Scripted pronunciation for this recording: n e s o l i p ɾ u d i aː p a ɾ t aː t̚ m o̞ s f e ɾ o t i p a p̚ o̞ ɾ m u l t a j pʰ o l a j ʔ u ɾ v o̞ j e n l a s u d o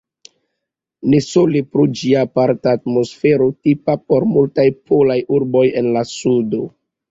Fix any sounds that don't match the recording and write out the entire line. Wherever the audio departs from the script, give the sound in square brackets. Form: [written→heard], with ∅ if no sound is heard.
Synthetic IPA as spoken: n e s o l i p ɾ u [d→d͡ʒ] i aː p a ɾ t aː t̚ m o̞ s f e ɾ o t i p a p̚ o̞ ɾ m u l t a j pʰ o l a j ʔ u ɾ [v→b] o̞ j e n l a s u d o